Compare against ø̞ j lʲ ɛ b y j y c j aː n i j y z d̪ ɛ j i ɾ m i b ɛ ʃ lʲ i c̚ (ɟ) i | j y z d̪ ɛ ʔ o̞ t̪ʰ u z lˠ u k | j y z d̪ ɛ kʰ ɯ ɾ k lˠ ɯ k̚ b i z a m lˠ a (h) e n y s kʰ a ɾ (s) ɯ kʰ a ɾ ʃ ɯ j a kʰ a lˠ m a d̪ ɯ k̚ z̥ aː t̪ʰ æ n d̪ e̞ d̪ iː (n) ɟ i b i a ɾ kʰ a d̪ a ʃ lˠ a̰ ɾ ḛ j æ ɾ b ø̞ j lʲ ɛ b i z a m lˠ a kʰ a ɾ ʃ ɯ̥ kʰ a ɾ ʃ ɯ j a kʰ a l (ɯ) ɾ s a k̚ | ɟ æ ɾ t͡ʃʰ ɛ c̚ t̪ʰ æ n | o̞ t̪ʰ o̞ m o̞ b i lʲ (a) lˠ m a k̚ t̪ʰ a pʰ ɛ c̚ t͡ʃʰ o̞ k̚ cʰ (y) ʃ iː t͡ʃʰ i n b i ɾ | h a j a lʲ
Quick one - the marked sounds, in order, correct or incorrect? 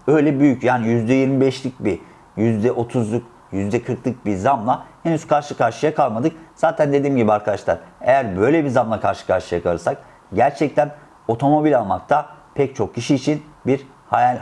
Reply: incorrect: b, correct, incorrect: ʃ, incorrect: m, correct, correct, incorrect: i

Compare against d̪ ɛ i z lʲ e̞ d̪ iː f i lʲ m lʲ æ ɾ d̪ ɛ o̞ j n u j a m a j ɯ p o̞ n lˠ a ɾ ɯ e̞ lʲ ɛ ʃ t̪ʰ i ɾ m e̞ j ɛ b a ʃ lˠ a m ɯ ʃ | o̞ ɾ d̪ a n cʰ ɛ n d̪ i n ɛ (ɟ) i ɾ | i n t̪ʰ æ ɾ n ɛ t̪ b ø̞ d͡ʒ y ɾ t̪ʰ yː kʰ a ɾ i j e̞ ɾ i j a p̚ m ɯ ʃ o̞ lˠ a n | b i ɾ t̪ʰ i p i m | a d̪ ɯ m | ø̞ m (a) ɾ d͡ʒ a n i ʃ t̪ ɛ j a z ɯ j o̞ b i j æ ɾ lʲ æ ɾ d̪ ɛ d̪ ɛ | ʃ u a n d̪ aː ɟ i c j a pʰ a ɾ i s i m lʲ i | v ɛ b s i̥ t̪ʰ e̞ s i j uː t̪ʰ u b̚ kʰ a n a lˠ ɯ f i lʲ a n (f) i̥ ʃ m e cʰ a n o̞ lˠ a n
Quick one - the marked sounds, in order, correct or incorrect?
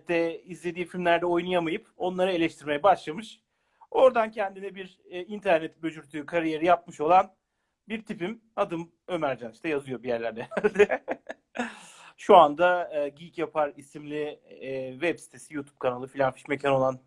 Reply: incorrect: b, incorrect: æ, correct

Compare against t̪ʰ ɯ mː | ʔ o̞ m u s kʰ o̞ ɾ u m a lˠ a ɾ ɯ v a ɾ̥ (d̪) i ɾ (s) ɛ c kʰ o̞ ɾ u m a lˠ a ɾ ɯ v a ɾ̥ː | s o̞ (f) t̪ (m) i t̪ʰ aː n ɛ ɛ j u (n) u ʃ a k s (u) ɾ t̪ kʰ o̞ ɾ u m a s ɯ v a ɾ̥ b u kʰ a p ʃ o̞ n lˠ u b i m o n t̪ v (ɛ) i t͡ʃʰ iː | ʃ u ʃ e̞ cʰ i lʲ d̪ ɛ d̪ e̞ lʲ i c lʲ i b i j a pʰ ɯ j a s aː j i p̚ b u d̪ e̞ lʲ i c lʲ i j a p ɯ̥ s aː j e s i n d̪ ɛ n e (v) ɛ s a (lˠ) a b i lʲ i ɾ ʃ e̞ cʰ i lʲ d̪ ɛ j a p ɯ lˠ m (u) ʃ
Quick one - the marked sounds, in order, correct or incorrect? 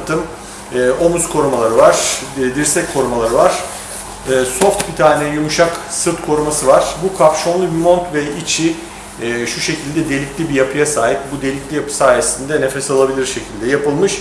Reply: correct, correct, correct, incorrect: b, incorrect: m, incorrect: ɯ, correct, incorrect: f, correct, incorrect: ɯ

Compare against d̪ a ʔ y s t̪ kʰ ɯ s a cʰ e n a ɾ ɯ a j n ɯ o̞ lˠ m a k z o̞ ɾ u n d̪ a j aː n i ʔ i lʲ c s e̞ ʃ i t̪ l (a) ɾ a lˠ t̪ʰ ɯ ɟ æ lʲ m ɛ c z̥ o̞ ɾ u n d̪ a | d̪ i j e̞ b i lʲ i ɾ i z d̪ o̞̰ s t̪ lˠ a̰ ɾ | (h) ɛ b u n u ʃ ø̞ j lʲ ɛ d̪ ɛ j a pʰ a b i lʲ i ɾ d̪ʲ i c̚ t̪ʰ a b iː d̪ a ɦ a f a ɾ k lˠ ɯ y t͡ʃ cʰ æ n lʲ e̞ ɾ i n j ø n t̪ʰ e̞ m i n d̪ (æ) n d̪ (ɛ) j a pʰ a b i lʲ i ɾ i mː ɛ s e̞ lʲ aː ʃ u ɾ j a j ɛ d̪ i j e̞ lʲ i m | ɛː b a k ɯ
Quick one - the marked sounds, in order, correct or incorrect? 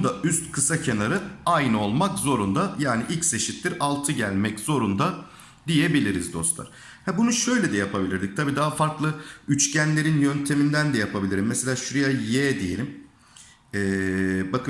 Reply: incorrect: i, correct, correct, correct

